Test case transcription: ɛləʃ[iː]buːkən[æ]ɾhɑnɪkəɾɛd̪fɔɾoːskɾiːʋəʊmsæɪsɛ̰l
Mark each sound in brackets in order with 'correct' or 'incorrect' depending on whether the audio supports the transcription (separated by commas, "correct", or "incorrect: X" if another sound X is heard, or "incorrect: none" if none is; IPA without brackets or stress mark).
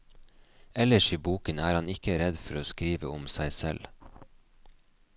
correct, incorrect: æː